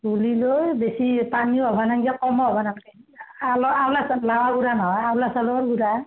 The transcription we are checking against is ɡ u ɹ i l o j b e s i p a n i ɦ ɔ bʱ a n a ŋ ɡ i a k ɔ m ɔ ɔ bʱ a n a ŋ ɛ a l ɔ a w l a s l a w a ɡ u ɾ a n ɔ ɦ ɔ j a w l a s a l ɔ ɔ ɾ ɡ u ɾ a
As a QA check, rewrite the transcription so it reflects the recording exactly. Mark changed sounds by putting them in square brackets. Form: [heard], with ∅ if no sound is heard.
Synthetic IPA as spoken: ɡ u [l] i l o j b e s i p a n i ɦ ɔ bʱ a n a ŋ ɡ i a k ɔ m ɔ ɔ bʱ a n a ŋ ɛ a l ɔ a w l a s l a w a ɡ u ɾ a n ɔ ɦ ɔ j a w l a s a l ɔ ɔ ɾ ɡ u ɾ a